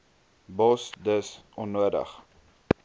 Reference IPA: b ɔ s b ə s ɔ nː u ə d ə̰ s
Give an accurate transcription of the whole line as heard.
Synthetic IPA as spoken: b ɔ s d ə s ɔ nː u ə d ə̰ χ